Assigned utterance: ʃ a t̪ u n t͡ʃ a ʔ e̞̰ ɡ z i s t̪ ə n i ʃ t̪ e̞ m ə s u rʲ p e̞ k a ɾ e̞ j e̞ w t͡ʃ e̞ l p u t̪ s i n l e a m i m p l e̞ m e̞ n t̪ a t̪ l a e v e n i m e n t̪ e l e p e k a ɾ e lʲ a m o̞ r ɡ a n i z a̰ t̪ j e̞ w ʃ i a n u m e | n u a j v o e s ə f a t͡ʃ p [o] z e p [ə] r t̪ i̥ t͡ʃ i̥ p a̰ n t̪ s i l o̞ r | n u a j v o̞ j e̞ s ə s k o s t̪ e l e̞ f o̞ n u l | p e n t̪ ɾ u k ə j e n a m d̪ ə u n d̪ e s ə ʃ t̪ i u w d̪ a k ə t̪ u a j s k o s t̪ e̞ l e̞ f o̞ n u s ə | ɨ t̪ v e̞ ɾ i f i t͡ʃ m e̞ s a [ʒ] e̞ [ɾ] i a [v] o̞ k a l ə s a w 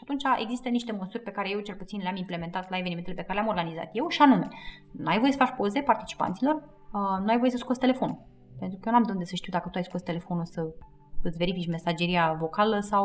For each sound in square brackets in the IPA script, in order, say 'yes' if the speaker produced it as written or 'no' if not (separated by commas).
yes, no, no, yes, yes